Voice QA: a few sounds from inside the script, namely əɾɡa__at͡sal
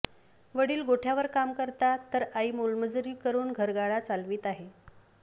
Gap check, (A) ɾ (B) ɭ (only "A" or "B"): B